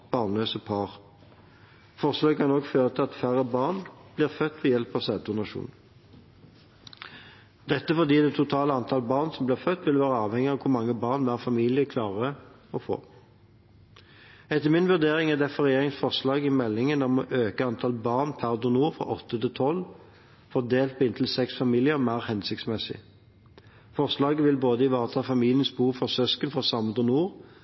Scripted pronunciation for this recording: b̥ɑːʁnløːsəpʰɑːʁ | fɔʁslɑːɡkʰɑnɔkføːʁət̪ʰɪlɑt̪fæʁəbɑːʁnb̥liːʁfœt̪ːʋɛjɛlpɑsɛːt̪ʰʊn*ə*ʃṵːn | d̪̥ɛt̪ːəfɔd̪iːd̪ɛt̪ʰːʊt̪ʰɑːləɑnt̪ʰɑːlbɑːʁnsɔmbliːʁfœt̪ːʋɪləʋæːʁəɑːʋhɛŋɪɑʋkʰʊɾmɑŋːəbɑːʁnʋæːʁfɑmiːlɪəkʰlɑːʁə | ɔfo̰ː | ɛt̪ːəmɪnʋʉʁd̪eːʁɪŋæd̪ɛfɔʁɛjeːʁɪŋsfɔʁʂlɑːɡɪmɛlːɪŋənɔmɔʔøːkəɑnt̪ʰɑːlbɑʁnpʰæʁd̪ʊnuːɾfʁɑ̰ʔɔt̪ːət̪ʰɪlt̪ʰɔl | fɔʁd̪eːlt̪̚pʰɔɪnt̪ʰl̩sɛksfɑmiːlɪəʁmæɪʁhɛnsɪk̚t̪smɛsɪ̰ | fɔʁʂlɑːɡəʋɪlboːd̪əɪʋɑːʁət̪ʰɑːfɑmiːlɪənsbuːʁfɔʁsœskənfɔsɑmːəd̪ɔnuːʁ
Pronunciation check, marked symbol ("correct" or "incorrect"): incorrect